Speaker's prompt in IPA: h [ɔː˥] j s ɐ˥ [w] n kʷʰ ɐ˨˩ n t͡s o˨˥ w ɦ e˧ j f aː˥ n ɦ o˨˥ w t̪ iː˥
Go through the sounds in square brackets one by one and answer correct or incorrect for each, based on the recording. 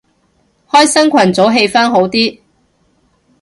correct, incorrect: none

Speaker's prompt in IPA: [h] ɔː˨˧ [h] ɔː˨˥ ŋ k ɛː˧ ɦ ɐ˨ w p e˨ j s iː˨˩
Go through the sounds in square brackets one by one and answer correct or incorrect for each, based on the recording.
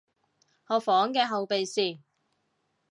correct, incorrect: f

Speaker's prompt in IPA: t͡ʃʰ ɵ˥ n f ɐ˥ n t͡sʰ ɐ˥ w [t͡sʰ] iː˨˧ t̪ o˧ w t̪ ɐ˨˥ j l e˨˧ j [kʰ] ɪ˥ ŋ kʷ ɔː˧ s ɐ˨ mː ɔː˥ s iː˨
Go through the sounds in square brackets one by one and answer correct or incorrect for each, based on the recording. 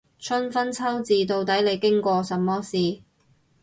incorrect: t͡s, incorrect: k

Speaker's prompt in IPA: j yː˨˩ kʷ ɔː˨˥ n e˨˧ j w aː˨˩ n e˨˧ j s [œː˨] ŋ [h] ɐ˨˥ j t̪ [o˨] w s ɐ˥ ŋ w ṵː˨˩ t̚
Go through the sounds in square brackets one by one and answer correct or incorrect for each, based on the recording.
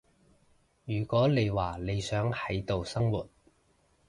incorrect: œː˨˥, correct, correct

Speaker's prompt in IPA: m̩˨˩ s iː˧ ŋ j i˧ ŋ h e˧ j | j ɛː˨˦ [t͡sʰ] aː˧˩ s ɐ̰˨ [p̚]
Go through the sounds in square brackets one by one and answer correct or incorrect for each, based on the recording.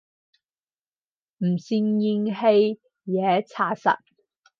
correct, incorrect: t̚

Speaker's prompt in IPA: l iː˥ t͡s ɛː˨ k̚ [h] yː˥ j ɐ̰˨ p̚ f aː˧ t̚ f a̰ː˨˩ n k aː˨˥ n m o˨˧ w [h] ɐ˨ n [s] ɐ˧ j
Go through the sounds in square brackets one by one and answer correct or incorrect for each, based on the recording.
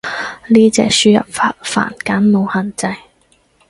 incorrect: s, correct, incorrect: t͡s

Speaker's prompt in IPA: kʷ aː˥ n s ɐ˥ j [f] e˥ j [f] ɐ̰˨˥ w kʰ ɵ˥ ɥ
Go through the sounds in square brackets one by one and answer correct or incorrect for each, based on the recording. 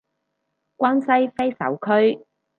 correct, incorrect: s

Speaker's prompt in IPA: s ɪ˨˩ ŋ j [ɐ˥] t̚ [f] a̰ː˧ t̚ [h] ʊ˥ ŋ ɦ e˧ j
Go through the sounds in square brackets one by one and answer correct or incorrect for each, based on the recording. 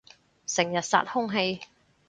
incorrect: ɐ˨, incorrect: s, correct

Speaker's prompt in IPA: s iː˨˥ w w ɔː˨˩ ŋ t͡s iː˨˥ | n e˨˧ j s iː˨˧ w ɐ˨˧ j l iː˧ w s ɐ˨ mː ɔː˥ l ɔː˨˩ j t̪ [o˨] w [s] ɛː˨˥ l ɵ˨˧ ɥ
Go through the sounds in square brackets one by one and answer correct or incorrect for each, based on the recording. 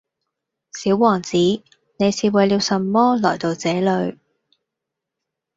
correct, incorrect: t͡s

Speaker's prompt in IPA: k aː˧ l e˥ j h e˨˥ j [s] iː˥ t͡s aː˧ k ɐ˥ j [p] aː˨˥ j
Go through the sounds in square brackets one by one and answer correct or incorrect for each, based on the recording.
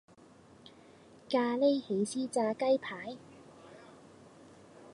correct, incorrect: pʰ

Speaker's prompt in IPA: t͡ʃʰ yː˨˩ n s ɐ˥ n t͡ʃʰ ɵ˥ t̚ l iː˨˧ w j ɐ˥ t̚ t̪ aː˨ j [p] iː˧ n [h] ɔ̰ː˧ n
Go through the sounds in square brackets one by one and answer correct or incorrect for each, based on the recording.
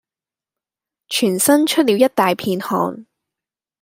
incorrect: pʰ, correct

